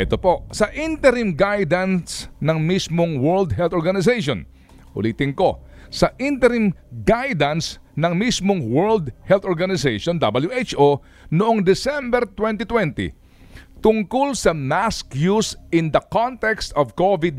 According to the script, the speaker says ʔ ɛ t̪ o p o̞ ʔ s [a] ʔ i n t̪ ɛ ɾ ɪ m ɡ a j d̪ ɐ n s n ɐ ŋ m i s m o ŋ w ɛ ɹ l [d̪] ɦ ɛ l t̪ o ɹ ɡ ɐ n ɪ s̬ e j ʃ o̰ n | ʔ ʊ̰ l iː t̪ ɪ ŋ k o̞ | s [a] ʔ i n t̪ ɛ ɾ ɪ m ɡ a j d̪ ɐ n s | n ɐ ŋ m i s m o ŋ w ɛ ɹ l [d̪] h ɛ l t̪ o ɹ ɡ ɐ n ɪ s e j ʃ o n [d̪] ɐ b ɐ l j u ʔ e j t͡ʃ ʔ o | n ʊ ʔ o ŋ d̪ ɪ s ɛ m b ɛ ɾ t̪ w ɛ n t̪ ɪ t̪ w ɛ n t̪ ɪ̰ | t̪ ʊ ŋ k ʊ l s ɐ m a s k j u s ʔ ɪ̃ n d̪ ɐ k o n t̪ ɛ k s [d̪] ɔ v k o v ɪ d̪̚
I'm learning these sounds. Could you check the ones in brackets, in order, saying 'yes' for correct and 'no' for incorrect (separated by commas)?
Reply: no, yes, no, yes, yes, no